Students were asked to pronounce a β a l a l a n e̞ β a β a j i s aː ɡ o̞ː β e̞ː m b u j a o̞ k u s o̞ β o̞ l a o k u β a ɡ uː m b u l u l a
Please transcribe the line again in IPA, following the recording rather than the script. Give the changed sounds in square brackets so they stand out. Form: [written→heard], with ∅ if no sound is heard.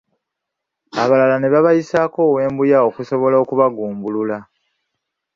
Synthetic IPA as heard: a β a l a l a n e̞ β a β a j i s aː [ɡ→k] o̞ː [β→w] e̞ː m b u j a o̞ k u s o̞ β o̞ l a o k u β a ɡ uː m b u l u l a